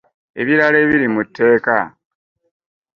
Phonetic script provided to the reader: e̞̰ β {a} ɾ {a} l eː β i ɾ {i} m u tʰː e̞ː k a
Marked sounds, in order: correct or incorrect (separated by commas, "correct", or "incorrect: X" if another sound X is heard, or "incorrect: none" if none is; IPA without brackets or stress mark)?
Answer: incorrect: i, correct, correct